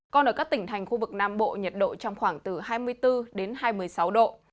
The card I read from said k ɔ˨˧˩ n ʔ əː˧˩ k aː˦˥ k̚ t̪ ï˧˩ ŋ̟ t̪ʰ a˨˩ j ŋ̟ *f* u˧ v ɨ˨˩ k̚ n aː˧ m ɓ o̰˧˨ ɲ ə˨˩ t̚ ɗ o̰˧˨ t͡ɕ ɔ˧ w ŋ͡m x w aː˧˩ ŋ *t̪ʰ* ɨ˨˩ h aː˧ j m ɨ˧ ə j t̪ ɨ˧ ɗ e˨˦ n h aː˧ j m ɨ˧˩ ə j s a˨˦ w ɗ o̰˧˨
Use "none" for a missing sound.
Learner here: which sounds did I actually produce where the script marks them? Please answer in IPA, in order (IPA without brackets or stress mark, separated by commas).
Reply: x, t̪